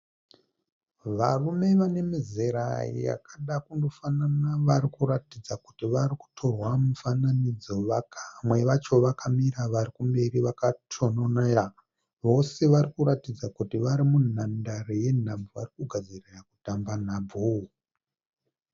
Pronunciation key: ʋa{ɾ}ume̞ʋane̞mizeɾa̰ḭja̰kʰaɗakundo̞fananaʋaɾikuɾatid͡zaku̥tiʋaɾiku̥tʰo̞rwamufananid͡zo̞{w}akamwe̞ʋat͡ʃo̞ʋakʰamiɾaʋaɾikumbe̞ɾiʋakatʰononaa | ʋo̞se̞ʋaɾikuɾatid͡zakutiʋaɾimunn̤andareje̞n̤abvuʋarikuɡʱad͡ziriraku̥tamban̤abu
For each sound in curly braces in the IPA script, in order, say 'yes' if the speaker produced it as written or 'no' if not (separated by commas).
no, no